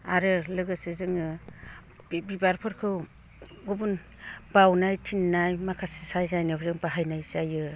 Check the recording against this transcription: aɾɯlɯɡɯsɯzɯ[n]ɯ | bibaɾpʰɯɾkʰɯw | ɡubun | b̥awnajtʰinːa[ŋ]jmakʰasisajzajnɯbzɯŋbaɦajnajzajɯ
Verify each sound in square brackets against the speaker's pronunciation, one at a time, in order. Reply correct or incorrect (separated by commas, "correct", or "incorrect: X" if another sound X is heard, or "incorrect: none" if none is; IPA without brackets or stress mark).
incorrect: ŋ, incorrect: none